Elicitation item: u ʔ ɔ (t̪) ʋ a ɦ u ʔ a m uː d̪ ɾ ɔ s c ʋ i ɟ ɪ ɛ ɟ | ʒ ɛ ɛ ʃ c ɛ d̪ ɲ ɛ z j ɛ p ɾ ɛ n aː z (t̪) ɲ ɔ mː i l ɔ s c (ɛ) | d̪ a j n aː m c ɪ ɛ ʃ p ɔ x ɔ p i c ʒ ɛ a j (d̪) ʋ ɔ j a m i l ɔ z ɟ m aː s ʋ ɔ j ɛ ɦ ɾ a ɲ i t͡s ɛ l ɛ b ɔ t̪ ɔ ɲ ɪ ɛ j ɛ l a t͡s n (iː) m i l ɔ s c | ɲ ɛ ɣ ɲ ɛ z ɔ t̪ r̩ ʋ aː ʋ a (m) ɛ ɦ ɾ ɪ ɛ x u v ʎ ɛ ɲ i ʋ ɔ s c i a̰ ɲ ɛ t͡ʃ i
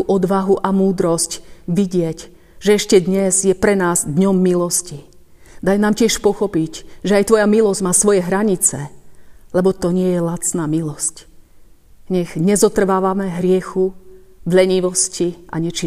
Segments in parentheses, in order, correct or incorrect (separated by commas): incorrect, incorrect, incorrect, incorrect, incorrect, correct